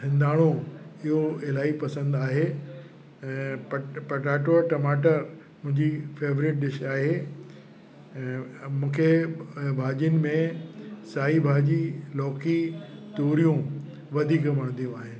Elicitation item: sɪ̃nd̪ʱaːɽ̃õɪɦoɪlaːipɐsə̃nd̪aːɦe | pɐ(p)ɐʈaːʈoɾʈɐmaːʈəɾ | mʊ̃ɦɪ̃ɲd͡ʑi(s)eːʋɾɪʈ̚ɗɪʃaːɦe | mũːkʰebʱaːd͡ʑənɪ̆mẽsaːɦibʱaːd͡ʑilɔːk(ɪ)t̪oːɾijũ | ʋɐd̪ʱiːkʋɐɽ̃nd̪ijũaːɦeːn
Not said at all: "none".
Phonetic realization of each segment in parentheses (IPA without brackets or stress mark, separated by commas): p, f, i